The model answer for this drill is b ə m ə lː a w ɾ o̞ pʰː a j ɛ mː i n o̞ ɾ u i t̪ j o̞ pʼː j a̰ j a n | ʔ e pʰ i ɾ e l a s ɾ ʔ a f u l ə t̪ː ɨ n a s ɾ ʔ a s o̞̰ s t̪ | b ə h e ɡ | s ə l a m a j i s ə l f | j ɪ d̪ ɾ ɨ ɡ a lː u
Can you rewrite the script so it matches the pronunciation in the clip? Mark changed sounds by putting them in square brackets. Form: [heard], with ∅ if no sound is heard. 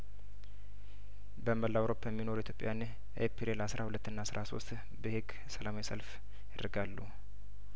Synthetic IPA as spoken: b ə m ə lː a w ɾ o̞ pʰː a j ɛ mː i n o̞ ɾ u i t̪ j o̞ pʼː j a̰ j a n | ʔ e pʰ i ɾ e l a s ɾ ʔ a [h] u l ə t̪ː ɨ [nː] a s ɾ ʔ a s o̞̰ s t̪ | b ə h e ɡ | s ə l a m a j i s ə l f | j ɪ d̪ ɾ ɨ ɡ a lː u